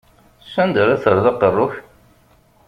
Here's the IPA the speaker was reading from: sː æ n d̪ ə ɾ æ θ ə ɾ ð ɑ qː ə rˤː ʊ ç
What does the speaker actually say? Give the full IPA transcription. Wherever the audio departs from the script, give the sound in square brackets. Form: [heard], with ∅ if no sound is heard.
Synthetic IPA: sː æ n d̪ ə ɾ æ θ ə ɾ ð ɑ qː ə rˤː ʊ ç